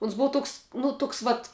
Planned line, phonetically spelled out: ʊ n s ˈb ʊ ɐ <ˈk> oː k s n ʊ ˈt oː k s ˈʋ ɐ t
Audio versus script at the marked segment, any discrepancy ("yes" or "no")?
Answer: yes